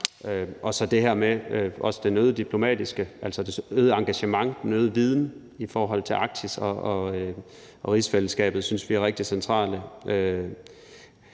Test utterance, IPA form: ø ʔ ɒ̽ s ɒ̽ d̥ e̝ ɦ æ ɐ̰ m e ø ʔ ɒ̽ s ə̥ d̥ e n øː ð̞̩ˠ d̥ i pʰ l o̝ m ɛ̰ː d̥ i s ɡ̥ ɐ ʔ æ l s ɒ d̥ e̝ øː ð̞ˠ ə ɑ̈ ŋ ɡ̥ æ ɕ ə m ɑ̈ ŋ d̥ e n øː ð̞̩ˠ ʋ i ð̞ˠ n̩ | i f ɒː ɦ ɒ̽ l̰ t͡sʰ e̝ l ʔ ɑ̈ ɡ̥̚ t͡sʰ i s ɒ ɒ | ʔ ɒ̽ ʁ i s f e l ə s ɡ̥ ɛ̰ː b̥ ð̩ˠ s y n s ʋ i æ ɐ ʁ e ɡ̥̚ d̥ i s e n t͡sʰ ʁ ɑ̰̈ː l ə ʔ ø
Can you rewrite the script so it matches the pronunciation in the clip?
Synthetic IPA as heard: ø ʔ ɒ̽ s ɒ̽ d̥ e̝ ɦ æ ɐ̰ m e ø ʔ ɒ̽ s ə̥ d̥ e n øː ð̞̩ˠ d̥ i pʰ l o̝ m ɛ̰ː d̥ i s ɡ̥ ə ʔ æ l s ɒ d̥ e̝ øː ð̞ˠ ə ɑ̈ ŋ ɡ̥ æ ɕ ə m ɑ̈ ŋ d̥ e n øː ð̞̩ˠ ʋ i ð̞ˠ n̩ | i f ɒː ɦ ɒ̽ l̰ t͡sʰ e̝ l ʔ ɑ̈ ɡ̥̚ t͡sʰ i s ɒ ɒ | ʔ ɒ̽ ʁ i s f e l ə s ɡ̥ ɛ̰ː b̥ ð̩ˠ s y n s ʋ i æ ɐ ʁ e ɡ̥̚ d̥ i s e n t͡sʰ ʁ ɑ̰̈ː l ə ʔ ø